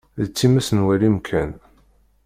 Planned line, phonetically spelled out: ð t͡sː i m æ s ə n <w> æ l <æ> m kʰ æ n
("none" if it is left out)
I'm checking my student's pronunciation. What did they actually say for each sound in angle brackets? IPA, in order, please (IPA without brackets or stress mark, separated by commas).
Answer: w, i